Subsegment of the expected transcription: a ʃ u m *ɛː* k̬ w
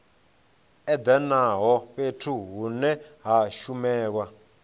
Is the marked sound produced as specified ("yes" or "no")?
yes